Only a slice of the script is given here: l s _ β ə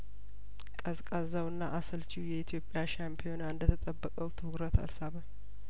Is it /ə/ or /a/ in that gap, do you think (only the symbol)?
a